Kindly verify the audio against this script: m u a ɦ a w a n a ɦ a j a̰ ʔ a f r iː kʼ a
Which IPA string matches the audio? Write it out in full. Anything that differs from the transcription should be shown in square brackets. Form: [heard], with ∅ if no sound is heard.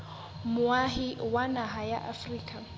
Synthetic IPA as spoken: m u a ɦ [i] w a n a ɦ a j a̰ ʔ a f r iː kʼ a